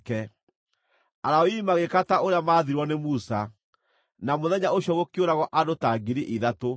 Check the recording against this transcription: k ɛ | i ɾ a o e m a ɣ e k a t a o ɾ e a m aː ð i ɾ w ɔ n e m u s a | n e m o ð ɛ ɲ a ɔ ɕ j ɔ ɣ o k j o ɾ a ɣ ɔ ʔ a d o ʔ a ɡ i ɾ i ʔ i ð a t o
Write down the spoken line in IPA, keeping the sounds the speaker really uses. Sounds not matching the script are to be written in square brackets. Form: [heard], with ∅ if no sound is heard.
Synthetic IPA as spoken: k ɛ | [a] ɾ a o [i] m a ɣ e k a t a o ɾ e a m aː ð i ɾ w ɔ n e m u s a | n [a] m o ð ɛ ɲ a [o] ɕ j ɔ ɣ o k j o ɾ a ɣ ɔ ʔ a d o [t] a ɡ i ɾ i ʔ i ð a t o